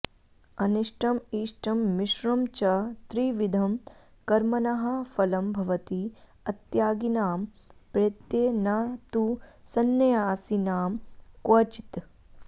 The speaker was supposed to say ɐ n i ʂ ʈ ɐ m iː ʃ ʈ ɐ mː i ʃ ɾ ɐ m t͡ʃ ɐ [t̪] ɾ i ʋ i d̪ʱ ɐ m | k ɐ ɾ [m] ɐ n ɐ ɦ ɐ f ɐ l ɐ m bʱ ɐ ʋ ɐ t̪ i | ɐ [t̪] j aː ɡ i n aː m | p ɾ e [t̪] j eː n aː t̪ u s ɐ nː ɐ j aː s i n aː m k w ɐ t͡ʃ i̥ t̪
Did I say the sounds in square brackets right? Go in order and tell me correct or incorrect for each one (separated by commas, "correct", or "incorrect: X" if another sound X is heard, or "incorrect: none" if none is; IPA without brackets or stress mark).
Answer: correct, correct, correct, correct